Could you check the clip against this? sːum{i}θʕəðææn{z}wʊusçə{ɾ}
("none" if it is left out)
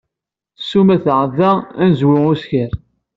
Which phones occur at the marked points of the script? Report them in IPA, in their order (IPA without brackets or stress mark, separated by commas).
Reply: æ, z, ɾ